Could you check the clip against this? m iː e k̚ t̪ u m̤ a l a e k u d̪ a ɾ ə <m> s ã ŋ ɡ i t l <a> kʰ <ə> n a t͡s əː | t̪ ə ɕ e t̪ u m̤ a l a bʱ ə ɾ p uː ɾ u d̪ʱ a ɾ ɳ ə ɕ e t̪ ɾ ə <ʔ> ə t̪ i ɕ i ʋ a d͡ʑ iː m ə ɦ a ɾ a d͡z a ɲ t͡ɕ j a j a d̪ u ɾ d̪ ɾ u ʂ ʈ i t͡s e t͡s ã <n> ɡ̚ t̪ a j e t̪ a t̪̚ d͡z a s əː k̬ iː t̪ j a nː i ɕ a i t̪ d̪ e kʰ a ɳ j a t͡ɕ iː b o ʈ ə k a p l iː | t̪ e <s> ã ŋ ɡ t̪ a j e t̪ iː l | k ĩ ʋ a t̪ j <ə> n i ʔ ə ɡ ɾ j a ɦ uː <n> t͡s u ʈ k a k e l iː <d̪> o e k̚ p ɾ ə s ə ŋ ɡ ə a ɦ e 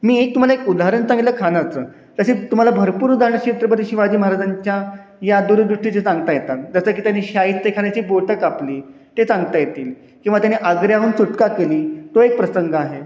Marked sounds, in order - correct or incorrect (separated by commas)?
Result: incorrect, incorrect, incorrect, incorrect, incorrect, incorrect, incorrect, correct, incorrect